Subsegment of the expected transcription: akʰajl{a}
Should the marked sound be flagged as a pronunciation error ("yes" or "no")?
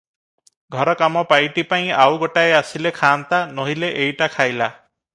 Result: no